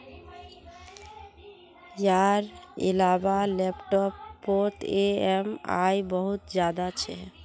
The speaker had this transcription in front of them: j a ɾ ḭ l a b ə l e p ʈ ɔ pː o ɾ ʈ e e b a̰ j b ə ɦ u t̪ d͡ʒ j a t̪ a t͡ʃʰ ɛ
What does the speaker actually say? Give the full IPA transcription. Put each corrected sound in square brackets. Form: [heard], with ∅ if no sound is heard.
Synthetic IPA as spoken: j a ɾ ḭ l a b [a] l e p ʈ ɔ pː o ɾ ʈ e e [m] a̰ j b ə ɦ u t̪ d͡ʒ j a [d̪] a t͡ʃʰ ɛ